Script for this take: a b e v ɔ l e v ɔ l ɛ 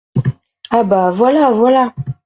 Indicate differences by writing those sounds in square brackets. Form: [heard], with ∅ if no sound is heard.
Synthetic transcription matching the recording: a b [a] v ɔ l [a] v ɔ l [a]

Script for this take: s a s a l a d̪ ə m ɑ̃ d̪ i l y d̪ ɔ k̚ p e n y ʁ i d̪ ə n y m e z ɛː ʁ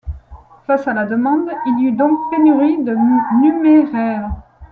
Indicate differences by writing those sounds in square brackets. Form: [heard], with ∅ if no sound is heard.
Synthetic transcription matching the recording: [f] a s a l a d̪ ə m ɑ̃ d̪ i l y d̪ [ɔ̃] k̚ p e n y ʁ i d̪ ə n y m e [ʁ] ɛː ʁ

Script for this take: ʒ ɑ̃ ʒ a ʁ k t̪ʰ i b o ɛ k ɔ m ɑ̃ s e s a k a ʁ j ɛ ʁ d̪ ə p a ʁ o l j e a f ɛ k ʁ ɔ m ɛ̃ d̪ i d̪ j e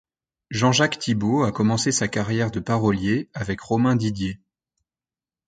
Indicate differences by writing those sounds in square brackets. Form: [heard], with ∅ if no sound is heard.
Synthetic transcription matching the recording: ʒ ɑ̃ ʒ a [∅] k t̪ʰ i b o [a] k ɔ m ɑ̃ s e s a k a ʁ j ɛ ʁ d̪ ə p a ʁ [ɔ] l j e a [v] ɛ k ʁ ɔ m ɛ̃ d̪ i d̪ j e

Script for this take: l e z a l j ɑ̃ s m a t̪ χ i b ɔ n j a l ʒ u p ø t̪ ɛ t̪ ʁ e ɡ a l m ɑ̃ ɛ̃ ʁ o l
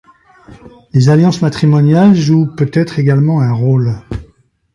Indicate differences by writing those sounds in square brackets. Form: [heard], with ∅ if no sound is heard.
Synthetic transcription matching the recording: l e z a l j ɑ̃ s m a t̪ χ i [m] ɔ n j a l ʒ u p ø t̪ ɛ t̪ [χ] e ɡ a l m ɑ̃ ɛ̃ ʁ o l

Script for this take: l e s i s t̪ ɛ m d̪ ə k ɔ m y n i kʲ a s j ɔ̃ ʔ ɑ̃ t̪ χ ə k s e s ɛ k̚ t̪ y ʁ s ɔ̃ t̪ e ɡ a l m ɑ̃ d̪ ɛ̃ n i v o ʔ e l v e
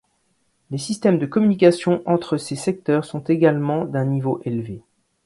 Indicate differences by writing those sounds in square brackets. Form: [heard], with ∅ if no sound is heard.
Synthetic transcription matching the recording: l e s i s t̪ ɛ m d̪ ə k ɔ m y n i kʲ a s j ɔ̃ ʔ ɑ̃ t̪ χ ə [∅] s e s ɛ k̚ t̪ [œ] ʁ s ɔ̃ t̪ e ɡ a l m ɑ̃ d̪ ɛ̃ n i v o ʔ e l v e

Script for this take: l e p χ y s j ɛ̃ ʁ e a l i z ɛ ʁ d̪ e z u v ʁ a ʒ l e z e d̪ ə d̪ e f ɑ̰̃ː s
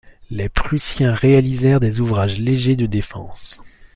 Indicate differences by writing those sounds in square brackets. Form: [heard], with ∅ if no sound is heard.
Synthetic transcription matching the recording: l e p χ y s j ɛ̃ ʁ e a l i z ɛ ʁ d̪ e z u v ʁ a ʒ l e [ʒ] e d̪ ə d̪ e f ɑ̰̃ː s

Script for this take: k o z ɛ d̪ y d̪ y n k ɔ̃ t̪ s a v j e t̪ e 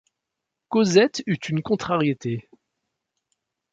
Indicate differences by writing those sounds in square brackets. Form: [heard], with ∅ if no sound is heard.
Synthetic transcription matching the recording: k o z ɛ [t̪] y [t̪] y n k ɔ̃ t̪ [χ] a [ʁ] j e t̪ e

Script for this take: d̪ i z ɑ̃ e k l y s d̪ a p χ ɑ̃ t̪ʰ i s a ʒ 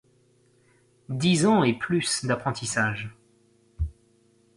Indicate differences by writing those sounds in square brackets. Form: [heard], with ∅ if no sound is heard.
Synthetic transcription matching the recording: d̪ i z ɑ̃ e [p] l y s d̪ a p χ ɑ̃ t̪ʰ i s a ʒ

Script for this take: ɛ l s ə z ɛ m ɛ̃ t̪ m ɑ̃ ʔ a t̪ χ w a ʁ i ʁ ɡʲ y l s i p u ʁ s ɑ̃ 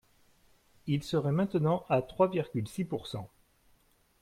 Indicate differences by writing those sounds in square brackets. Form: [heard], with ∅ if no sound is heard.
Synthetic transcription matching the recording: [i] l s ə [ʁ] ɛ m ɛ̃ t̪ [n] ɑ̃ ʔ a t̪ χ w a [v] i ʁ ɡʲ y l s i p u ʁ s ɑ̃

